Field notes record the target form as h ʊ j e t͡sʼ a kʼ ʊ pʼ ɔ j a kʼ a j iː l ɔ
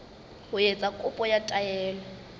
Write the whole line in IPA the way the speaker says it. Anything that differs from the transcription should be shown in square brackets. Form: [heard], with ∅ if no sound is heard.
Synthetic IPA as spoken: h ʊ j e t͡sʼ a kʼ ʊ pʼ ɔ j a [tʼ] a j [ɛː] l ɔ